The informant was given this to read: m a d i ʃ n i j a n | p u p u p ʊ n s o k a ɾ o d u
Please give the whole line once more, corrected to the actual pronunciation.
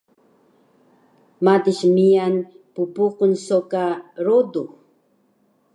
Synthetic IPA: m a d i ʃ m i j a n | p u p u q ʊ n s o k a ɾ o d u